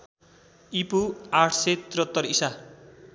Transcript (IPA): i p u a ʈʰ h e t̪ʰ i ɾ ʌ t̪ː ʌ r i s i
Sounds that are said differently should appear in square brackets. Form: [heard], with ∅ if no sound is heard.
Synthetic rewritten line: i p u a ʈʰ [s] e [t̪] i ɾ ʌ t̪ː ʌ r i s [a]

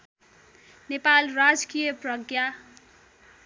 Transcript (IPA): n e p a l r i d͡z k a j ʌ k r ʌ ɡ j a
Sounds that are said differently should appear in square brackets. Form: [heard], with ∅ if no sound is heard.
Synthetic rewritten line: n e p a l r [a] d͡z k [i] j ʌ [p] r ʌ ɡ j a

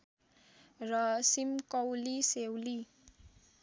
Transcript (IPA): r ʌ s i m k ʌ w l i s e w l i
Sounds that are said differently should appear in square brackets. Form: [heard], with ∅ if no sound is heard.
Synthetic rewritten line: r ʌ s i m k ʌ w l i s e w l i

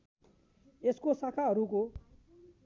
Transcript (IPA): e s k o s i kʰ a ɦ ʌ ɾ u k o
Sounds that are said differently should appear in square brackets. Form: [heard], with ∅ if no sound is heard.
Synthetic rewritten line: e s k o s [a] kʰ a ɦ ʌ ɾ u k o

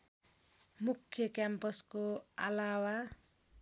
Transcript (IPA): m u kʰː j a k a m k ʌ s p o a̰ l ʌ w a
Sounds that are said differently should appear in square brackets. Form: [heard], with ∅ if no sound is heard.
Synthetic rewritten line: m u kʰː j [ʌ] k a m [p] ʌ s [k] o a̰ l [a] w a

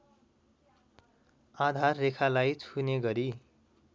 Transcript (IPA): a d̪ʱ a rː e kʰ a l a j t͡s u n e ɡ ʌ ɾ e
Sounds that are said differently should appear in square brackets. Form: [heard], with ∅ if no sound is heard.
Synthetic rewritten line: a d̪ʱ a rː e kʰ a l a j [t͡sʰ] u n e ɡ ʌ ɾ [i]

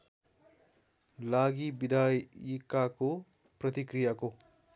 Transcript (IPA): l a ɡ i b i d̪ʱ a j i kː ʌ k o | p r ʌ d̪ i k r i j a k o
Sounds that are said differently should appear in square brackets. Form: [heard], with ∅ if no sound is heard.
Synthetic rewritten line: l a ɡ i b i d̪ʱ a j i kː [a] k o | p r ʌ [t̪] i k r i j a k o

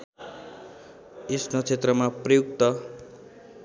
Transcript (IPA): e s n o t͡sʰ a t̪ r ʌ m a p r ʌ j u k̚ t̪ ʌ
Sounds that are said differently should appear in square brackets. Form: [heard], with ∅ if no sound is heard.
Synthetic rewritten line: e s n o t͡sʰ [e] t̪ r ʌ m a p r ʌ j u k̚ t̪ ʌ

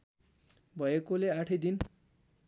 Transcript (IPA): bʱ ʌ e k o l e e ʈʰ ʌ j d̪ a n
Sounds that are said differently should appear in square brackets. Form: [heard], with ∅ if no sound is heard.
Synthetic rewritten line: bʱ ʌ e k o l e [a] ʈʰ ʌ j d̪ [i] n

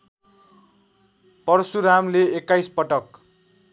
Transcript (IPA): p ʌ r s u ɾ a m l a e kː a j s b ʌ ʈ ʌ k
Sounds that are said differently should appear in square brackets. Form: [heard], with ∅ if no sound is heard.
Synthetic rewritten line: p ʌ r s u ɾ a m l [e] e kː a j s [p] ʌ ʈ ʌ k

